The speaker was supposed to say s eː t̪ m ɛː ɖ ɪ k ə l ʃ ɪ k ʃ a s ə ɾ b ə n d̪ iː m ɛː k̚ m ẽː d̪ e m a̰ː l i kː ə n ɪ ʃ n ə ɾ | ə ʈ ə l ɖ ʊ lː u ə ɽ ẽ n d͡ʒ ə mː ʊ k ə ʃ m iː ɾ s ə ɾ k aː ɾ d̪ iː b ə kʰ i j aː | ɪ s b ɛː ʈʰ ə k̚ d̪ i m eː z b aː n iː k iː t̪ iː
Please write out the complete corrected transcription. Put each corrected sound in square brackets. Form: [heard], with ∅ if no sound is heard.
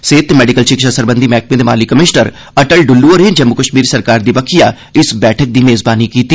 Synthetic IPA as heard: s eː t̪ m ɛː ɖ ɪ k ə l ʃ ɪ k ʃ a s ə ɾ b ə n d̪ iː m ɛː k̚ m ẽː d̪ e m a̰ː l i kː ə [m] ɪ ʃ n ə ɾ | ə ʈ ə l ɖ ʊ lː u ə [ɾ] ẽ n d͡ʒ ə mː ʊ k ə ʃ m iː ɾ s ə ɾ k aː ɾ d̪ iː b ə kʰ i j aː | ɪ s b ɛː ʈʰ ə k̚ d̪ [iː] m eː z b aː n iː k iː t̪ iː